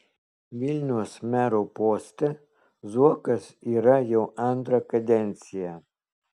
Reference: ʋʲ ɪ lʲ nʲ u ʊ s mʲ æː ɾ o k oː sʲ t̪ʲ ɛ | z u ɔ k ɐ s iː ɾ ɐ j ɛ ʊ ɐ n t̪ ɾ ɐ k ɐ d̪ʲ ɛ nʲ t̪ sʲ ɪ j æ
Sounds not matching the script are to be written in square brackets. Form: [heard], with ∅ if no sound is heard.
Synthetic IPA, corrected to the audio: ʋʲ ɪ lʲ nʲ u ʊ s mʲ æː ɾ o [p] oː sʲ t̪ʲ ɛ | z u ɔ k ɐ s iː ɾ ɐ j ɛ ʊ ɐ n t̪ ɾ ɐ k ɐ d̪ʲ ɛ nʲ t̪ sʲ ɪ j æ